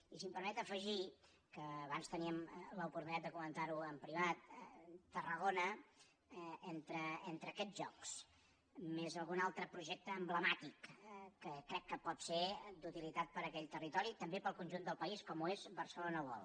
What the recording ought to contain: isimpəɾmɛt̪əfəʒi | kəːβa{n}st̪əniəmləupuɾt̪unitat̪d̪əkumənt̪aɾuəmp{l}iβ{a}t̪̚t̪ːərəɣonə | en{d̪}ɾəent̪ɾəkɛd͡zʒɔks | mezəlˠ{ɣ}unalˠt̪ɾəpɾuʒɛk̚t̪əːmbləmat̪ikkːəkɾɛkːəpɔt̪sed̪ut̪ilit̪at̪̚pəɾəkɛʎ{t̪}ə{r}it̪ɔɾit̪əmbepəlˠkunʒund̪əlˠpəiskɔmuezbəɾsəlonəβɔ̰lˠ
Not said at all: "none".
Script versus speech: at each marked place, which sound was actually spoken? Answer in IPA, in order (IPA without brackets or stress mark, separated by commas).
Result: n, ɾ, a, t̪, ɣ, t̪, r